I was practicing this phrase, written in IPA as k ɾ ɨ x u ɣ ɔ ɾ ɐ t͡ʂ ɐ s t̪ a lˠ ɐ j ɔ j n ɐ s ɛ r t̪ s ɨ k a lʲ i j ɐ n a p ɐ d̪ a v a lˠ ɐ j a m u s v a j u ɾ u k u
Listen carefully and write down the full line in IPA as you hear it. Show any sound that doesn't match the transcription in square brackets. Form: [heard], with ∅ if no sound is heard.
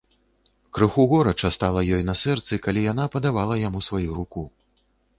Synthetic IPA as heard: k ɾ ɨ x u ɣ ɔ ɾ ɐ t͡ʂ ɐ s t̪ a lˠ ɐ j ɔ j n ɐ s ɛ r t̪ s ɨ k a lʲ i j [a] n a p ɐ d̪ a v a lˠ ɐ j a m u s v a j u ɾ u k u